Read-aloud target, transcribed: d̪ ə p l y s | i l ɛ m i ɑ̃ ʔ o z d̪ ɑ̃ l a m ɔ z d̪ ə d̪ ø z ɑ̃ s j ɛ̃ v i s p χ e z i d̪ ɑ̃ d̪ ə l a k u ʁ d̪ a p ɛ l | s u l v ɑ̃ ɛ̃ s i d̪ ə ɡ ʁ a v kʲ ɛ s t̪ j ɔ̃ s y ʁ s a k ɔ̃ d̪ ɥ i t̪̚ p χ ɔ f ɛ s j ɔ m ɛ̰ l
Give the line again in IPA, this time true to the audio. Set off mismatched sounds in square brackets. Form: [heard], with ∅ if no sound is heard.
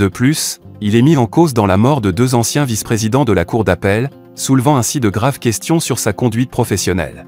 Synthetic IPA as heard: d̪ ə p l y s | i l ɛ m i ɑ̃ [k] o z d̪ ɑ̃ l a m ɔ [ʁ] d̪ ə d̪ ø z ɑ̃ s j ɛ̃ v i s p χ e z i d̪ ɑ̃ d̪ ə l a k u ʁ d̪ a p ɛ l | s u l v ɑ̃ ɛ̃ s i d̪ ə ɡ ʁ a v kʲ ɛ s t̪ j ɔ̃ s y ʁ s a k ɔ̃ d̪ ɥ i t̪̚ p χ ɔ f ɛ s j ɔ [n] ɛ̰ l

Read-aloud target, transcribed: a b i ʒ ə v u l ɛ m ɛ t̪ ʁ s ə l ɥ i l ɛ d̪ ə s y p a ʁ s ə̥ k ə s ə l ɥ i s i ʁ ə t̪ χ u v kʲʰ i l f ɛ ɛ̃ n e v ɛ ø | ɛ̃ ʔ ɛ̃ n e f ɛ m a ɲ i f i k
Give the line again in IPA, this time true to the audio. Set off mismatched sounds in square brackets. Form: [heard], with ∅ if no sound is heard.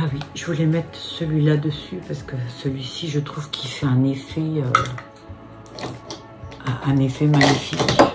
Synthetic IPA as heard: a [w] i ʒ ə v u l ɛ m ɛ t̪ [χ] s ə l ɥ i l [a] d̪ ə s y p a ʁ s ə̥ k ə s ə l ɥ i s i [ʒ] ə t̪ χ u v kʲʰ i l f ɛ ɛ̃ n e [f] ɛ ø | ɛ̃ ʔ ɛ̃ n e f ɛ m a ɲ i f i k

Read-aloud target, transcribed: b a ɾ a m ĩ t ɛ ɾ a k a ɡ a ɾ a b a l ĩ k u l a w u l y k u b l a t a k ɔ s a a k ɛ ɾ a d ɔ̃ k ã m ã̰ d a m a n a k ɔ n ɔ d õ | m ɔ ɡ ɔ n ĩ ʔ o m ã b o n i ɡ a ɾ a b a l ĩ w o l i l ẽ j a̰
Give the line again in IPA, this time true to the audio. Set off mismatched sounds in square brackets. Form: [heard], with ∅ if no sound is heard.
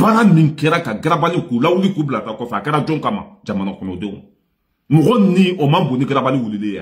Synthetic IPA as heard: b a ɾ a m ĩ [k] ɛ ɾ a k a ɡ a ɾ a b a l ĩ k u l a w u l [i] k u b l a t a k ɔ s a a k ɛ ɾ a [d͡ʒ] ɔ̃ k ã m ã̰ [d͡ʒ] a m a n a k ɔ n ɔ d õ | m ɔ ɡ ɔ n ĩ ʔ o m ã b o n i ɡ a ɾ a b a l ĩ w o l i l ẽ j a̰

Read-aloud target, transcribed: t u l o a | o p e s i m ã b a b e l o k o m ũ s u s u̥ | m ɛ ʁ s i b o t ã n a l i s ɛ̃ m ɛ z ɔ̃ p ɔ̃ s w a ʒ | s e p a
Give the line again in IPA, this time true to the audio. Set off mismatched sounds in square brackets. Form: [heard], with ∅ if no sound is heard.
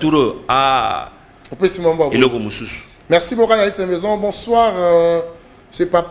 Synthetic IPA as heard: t u [ɾ] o a | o p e s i m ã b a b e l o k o m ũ s u s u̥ | m ɛ ʁ s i b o [k] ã n a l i s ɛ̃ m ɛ z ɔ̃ [b] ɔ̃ s w a [ʁ] | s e p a

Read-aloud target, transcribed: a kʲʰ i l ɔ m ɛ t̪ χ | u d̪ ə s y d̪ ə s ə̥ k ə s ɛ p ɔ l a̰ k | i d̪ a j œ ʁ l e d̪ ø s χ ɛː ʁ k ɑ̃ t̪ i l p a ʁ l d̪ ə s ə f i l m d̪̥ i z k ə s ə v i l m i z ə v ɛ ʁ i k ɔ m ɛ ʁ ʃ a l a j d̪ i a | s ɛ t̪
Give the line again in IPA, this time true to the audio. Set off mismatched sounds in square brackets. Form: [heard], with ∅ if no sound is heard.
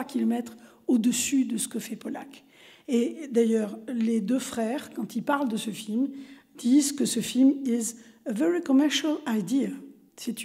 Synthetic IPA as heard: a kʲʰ i l ɔ m ɛ t̪ χ | [o] d̪ ə s y d̪ ə s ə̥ k ə [f] ɛ p ɔ l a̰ k | [e] d̪ a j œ ʁ l e d̪ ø [f] χ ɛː ʁ k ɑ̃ t̪ i l p a ʁ l d̪ ə s ə f i l m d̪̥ i z k ə s ə [f] i l m i z ə v ɛ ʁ i k ɔ m ɛ ʁ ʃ a l a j d̪ i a | s ɛ t̪

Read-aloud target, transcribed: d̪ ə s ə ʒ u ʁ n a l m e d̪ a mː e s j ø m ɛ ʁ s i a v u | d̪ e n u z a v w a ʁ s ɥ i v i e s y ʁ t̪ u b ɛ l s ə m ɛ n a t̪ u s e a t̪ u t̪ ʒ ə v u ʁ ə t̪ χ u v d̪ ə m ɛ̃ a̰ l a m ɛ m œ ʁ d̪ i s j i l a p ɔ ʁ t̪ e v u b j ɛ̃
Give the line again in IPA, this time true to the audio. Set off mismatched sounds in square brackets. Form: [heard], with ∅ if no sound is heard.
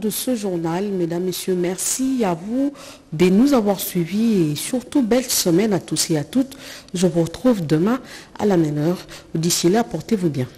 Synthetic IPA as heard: d̪ ə s ə ʒ u ʁ n a l m e d̪ a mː e s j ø m ɛ ʁ s i a v u | d̪ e n u z a v w a ʁ s ɥ i v i e s y ʁ t̪ u b ɛ l s ə m ɛ n a t̪ u s e a t̪ u t̪ ʒ ə v u ʁ ə t̪ χ u v d̪ ə m ɛ̃ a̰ l a m ɛ m œ ʁ d̪ i s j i l a p ɔ ʁ t̪ e v u b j ɛ̃

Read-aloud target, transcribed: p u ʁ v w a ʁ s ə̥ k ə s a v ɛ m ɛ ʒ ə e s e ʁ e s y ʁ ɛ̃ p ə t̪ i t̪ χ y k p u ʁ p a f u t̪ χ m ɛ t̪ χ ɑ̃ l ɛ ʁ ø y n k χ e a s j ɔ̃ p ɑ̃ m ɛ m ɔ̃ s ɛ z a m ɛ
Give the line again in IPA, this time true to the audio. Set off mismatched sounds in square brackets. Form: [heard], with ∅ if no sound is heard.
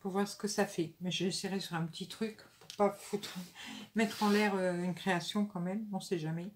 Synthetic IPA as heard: p u ʁ v w a ʁ s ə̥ k ə s a [f] ɛ m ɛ ʒ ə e s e ʁ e s y ʁ ɛ̃ p ə t̪ i t̪ χ y k p u ʁ p a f u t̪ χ m ɛ t̪ χ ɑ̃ l ɛ ʁ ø y n k χ e a s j ɔ̃ [k] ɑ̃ m ɛ m ɔ̃ s ɛ [ʒ] a m ɛ

